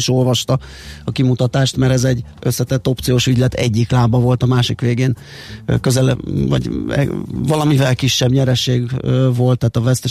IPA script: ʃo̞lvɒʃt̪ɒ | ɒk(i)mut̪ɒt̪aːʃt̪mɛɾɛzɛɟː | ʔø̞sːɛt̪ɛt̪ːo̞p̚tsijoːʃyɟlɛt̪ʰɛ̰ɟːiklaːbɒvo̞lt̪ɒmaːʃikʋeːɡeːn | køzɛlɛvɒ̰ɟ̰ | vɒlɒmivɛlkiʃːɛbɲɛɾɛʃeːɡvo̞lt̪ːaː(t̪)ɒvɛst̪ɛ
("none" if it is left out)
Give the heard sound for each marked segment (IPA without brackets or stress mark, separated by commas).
i, t̪